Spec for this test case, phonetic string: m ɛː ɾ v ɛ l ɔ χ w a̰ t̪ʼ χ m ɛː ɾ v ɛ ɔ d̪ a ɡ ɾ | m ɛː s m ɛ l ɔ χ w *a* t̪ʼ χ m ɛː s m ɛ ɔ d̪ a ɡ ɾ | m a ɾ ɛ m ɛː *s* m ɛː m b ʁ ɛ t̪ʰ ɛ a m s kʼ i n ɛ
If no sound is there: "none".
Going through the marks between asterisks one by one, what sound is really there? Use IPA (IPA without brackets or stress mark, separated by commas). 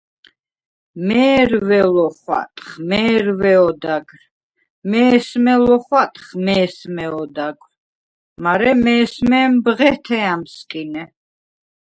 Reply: a, s